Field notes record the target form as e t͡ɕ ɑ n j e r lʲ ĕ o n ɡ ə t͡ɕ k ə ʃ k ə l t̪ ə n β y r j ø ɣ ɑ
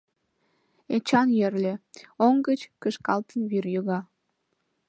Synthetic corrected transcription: e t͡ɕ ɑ n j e r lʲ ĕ o ŋ ɡ ə t͡ɕ k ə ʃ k ɑ l t̪ ə n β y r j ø ɣ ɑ